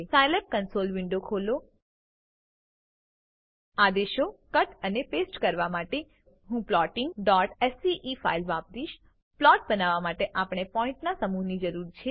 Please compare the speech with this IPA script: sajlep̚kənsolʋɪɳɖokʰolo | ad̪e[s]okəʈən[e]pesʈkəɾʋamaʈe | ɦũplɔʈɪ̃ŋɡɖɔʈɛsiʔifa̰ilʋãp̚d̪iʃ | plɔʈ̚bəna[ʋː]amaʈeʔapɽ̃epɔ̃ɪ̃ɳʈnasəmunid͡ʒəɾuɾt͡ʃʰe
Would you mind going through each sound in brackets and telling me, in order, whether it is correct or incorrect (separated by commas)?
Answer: incorrect, correct, incorrect